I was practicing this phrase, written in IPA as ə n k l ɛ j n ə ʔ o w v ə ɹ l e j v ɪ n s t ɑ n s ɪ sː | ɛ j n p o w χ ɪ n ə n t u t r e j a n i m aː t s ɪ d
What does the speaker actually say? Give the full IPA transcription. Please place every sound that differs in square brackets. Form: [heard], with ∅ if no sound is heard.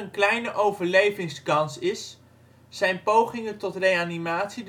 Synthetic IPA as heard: ə n k l ɛ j n ə ʔ o w v ə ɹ l e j v ɪ [ŋ] s [k] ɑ n s ɪ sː | ɛ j n p o w χ ɪ [ŋ] ə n t [ɔ] t r e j a n i m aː t s [i] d